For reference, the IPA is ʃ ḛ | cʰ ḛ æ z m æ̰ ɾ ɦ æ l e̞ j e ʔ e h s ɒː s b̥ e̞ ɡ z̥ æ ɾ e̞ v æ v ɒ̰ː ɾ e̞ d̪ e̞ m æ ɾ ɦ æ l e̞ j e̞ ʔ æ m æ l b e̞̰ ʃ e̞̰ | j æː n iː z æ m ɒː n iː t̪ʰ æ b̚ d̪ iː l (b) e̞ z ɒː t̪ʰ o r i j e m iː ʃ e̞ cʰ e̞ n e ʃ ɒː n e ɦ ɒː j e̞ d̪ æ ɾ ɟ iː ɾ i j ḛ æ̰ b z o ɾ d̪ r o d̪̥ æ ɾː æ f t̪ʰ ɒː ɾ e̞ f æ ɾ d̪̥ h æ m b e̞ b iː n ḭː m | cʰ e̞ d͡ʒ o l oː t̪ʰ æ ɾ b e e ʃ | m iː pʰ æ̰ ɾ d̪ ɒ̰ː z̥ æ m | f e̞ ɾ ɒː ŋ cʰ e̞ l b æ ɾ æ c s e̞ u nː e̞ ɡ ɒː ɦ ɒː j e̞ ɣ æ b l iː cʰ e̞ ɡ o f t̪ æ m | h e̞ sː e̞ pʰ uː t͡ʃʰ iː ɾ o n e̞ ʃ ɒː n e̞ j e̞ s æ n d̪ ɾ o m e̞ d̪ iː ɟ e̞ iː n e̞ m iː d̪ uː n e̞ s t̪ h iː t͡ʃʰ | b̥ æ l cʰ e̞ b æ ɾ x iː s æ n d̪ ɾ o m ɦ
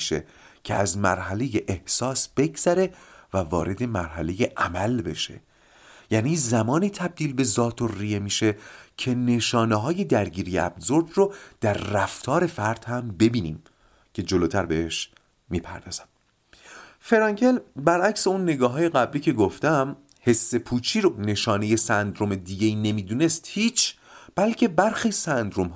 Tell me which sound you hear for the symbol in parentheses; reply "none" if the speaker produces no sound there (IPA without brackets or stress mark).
b